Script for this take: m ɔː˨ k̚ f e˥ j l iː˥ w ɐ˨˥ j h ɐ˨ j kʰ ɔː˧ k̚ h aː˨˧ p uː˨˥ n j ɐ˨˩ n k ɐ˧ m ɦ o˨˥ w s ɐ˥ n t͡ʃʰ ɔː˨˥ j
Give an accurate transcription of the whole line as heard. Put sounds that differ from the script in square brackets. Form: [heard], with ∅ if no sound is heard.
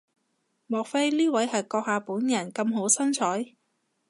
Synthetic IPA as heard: m ɔː˨ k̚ f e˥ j l iː˥ w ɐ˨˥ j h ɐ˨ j [k] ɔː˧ k̚ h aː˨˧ p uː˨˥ n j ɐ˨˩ n k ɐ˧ m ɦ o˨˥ w s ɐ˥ n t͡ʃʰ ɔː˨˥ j